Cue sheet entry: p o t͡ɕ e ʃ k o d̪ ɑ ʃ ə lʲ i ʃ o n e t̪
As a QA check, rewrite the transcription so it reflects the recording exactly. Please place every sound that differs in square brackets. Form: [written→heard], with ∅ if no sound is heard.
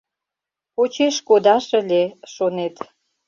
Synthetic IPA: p o t͡ɕ e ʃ k o d̪ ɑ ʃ ə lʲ [i→e] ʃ o n e t̪